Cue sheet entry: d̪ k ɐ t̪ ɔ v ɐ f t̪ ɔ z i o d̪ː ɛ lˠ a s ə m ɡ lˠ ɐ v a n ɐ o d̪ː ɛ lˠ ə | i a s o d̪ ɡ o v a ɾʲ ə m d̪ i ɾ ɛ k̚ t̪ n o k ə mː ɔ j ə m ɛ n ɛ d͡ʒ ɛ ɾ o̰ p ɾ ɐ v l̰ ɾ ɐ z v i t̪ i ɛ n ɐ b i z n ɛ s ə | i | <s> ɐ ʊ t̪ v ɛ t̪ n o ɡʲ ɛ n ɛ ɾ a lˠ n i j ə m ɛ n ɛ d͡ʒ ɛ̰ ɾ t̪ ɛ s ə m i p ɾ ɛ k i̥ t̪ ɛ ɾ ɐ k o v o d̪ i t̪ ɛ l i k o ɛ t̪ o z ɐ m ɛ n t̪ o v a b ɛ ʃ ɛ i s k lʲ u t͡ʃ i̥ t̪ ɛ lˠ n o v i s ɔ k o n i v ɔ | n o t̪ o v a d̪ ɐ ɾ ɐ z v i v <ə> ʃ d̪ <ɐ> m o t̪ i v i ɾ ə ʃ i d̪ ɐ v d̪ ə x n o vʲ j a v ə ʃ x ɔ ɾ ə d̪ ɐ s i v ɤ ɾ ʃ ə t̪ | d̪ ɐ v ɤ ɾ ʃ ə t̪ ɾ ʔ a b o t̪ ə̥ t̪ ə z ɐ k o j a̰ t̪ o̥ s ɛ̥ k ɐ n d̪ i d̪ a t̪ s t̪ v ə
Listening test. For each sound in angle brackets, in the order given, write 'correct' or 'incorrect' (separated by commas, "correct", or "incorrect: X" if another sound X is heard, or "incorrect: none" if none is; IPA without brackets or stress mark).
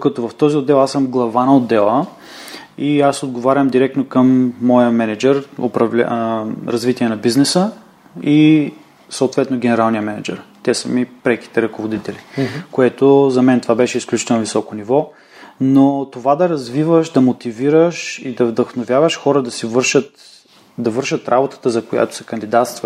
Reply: correct, correct, correct